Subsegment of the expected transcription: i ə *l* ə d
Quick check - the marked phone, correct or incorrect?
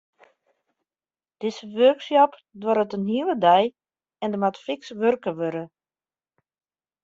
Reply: correct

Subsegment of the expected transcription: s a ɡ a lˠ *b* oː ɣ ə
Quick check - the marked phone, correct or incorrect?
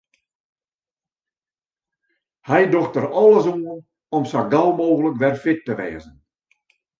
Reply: incorrect: m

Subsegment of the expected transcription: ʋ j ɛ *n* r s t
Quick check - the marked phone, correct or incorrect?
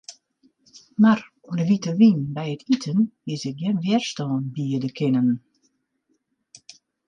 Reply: incorrect: none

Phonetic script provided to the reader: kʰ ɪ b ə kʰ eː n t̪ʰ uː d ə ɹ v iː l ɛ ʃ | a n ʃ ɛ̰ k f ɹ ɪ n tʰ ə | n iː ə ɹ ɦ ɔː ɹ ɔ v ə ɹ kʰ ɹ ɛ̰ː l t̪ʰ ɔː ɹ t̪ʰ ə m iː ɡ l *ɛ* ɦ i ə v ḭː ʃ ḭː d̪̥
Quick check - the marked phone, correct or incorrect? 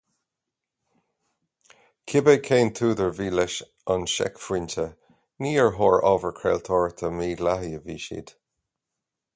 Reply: incorrect: a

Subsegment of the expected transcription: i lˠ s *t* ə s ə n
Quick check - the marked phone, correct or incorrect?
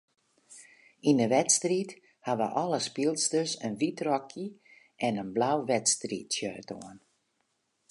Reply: correct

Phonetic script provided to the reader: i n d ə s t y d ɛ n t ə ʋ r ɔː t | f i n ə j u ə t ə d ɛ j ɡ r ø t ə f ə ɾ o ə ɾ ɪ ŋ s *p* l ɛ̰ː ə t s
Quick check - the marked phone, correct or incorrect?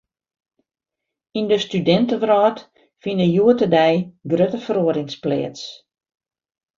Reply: correct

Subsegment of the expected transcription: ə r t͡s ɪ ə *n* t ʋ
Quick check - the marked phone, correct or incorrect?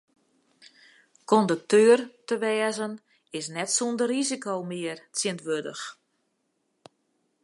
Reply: correct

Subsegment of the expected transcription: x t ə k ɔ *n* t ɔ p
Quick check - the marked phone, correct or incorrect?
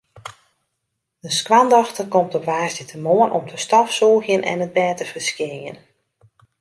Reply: incorrect: m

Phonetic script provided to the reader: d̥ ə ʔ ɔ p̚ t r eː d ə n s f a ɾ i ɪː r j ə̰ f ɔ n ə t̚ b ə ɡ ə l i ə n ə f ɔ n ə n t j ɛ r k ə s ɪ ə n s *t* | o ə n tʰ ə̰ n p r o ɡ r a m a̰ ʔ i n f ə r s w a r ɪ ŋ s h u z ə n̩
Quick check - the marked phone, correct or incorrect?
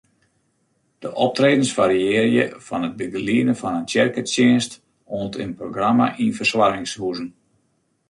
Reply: correct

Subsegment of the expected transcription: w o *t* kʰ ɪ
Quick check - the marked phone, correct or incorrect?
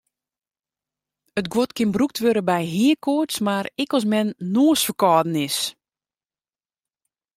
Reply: correct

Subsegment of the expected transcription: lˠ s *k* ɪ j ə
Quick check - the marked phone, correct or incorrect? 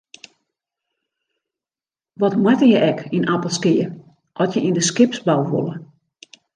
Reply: correct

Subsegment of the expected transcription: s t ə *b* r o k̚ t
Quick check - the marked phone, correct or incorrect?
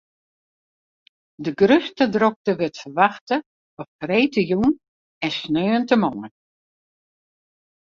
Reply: incorrect: d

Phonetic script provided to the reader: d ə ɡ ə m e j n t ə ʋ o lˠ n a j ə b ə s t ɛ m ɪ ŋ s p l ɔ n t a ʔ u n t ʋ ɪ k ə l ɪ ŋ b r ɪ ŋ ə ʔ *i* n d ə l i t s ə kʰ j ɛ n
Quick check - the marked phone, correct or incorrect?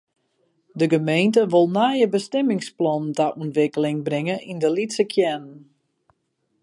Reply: correct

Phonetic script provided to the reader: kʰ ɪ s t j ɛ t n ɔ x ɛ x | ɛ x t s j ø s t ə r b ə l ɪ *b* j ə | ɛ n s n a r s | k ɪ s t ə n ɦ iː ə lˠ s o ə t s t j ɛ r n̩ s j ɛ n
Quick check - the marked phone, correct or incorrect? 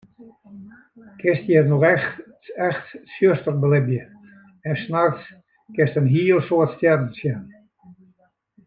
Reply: correct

